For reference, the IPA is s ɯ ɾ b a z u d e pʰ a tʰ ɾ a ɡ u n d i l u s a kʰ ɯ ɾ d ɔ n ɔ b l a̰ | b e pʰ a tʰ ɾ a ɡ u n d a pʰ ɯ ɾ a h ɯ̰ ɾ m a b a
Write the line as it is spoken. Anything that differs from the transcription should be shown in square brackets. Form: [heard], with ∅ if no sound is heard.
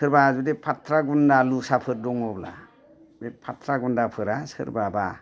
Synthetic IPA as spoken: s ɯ ɾ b a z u d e pʰ a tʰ ɾ a ɡ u n d [a] l u s a [pʰ] ɯ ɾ d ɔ [ŋ] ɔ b l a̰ | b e pʰ a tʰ ɾ a ɡ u n d a pʰ ɯ ɾ a [s] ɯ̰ ɾ [b] a b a